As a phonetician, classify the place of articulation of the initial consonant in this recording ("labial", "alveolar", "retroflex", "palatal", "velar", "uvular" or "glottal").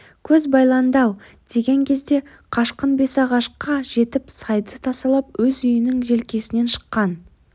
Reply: velar